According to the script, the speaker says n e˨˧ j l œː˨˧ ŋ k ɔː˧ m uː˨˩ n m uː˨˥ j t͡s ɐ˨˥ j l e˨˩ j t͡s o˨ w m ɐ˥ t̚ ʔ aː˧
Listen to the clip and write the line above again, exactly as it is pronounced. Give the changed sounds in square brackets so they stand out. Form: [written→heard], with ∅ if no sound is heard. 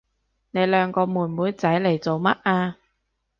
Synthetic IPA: n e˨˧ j l œː˨˧ ŋ k ɔː˧ m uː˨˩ n m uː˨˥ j t͡s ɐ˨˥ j l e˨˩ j t͡s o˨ w m ɐ˥ t̚ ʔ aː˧